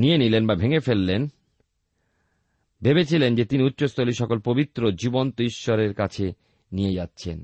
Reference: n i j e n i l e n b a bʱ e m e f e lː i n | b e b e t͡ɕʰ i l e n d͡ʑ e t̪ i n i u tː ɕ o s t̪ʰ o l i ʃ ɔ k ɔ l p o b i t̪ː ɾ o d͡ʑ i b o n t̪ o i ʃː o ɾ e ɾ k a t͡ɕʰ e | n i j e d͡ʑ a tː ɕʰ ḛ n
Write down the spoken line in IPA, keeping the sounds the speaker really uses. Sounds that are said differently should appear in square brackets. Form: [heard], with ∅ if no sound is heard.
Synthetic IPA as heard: n i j e n i l e n b a bʱ e [ŋ] e f e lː [e] n | b e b e t͡ɕʰ i l e n d͡ʑ e t̪ i n i u tː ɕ o s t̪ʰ o l i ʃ ɔ k [o] l p o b i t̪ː ɾ o d͡ʑ i b o n t̪ o i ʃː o ɾ e ɾ k a t͡ɕʰ e | n i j e d͡ʑ a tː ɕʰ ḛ n